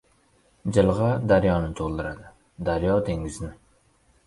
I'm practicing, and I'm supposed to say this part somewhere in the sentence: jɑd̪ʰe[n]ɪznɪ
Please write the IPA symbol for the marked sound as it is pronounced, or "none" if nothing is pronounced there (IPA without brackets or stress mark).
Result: ŋ